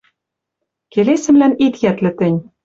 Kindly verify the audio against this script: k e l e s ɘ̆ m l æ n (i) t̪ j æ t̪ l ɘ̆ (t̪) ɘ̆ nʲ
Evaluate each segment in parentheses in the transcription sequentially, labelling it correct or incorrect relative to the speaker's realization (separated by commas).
correct, correct